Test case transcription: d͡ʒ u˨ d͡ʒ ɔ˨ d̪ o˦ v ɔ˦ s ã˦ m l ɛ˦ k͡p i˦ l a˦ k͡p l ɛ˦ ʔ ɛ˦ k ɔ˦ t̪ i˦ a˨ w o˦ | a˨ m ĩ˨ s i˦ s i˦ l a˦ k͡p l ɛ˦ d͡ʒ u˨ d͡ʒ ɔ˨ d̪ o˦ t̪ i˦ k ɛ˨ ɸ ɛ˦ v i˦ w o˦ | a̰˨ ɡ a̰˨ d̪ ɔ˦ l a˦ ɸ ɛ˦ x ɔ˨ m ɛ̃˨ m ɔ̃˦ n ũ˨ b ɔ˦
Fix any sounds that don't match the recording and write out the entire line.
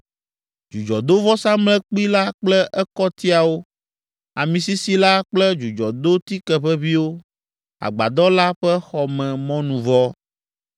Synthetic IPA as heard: d͡ʒ u˨ d͡ʒ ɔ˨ d̪ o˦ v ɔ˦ s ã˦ m l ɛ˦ k͡p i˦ l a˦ k͡p l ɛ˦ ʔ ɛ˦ k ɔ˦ t̪ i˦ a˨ w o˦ | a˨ m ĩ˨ s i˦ s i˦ l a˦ k͡p l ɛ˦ d͡ʒ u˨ d͡ʒ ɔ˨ d̪ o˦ t̪ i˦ k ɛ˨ ɸ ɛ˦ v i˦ w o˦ | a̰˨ ɡ͡b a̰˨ d̪ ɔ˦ l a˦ ɸ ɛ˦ x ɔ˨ m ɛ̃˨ m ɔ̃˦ n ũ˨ v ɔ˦